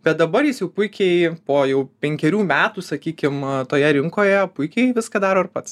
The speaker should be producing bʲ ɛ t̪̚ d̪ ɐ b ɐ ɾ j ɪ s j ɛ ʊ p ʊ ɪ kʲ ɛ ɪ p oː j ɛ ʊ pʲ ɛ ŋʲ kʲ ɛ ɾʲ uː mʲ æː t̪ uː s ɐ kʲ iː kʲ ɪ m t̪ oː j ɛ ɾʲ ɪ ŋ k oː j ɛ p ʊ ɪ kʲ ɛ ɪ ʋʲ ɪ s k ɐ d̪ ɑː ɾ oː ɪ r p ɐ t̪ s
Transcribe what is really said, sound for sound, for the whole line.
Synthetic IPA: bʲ ɛ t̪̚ d̪ ɐ b ɐ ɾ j ɪ s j ɛ ʊ p ʊ ɪ kʲ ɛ ɪ p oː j ɛ ʊ pʲ ɛ ŋʲ kʲ ɛ ɾʲ uː mʲ æː t̪ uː s ɐ kʲ iː kʲ ɪ m t̪ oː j ɛ ɾʲ ɪ ŋ k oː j ɛ p ʊ ɪ kʲ ɛ ɪ ʋʲ ɪ s k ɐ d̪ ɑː ɾ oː ɪ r p ɐ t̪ s